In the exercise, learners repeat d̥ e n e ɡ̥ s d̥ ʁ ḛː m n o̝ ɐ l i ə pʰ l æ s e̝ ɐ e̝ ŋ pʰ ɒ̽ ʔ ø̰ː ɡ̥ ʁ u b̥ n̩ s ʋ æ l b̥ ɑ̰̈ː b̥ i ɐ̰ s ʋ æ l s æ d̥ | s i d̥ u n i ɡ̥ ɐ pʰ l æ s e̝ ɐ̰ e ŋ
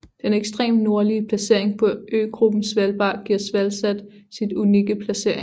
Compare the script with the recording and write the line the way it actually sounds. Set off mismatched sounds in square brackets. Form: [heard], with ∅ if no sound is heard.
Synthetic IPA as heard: d̥ e n e ɡ̥ s d̥ ʁ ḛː m n o̝ ɐ l i ə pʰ l æ s e̝ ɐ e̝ ŋ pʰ ɒ̽ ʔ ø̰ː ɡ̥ ʁ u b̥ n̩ s ʋ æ l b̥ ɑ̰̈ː [ɡ̥] i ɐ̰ s ʋ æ l s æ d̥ | s i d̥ u n i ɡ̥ [ə] pʰ l æ s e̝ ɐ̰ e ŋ